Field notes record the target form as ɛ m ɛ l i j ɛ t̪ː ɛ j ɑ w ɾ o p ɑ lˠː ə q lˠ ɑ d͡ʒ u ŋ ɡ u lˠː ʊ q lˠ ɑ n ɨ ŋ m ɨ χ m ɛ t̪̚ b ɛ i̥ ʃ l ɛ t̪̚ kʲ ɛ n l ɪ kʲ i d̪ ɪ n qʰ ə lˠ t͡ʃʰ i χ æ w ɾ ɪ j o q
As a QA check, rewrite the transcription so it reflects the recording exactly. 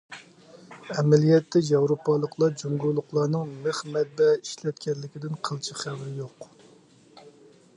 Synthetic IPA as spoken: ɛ m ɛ l i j ɛ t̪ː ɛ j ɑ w ɾ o p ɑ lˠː ə q lˠ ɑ d͡ʒ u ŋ ɡ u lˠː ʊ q lˠ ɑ n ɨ ŋ m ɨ χ m ɛ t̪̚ b ɛ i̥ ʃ l ɛ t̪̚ kʲ ɛ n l ɪ kʲ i d̪ ɪ n qʰ ə lˠ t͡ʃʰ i χ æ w ɾ ɪ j o q